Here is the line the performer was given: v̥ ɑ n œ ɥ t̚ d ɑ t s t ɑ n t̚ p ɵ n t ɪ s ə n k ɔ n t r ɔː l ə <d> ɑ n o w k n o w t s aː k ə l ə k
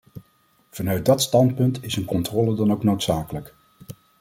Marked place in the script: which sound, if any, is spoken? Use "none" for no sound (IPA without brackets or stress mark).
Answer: d